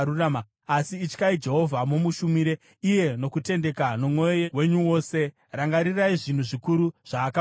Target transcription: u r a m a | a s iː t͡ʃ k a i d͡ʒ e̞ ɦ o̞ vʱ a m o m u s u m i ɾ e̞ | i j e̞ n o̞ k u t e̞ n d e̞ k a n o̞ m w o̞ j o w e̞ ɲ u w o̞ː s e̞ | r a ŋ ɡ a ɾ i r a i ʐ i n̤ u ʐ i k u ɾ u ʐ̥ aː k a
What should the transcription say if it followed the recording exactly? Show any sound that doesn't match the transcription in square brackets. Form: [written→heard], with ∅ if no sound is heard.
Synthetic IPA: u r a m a | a s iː t͡ʃ k a i d͡ʒ e̞ ɦ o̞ vʱ a m o m u [s→ʃ] u m i ɾ e̞ | i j e̞ n o̞ k u t e̞ n d e̞ k a n o̞ m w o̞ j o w e̞ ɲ u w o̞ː s e̞ | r a ŋ ɡ a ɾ i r a i ʐ i n̤ u ʐ i k u ɾ u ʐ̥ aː k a